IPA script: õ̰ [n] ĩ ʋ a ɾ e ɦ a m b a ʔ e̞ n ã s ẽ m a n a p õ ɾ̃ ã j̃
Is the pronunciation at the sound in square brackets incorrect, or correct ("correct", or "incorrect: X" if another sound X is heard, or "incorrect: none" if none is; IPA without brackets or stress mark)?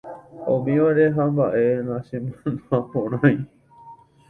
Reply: incorrect: m